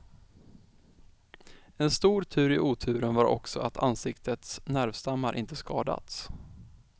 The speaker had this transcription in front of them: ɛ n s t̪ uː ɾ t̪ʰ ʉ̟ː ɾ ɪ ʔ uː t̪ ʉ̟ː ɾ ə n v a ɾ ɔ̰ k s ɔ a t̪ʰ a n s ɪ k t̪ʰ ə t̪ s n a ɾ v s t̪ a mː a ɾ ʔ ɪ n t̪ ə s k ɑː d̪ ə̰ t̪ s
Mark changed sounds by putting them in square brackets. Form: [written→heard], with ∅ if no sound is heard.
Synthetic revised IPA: ɛ n s t̪ uː ɾ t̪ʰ ʉ̟ː ɾ ɪ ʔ uː [t̪→t̪ʰ] ʉ̟ː ɾ ə n v a ɾ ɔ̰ k s ɔ a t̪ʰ a n s ɪ k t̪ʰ ə t̪ s n [a→æ] ɾ v s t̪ a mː a ɾ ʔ ɪ n t̪ ə s k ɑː d̪ [ə̰→a̰] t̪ s